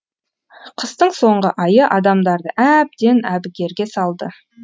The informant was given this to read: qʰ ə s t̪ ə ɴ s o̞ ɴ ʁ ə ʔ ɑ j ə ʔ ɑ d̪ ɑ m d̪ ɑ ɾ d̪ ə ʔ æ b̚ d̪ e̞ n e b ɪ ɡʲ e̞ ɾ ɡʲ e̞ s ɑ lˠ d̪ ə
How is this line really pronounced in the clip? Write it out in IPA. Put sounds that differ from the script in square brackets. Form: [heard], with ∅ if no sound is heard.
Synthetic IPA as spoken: qʰ ə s t̪ ə ɴ s o̞ ɴ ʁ ə ʔ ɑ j ə ʔ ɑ d̪ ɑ m d̪ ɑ ɾ d̪ ə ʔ æ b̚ d̪ e̞ n [æ] b ɪ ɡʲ e̞ ɾ ɡʲ e̞ s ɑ lˠ d̪ ə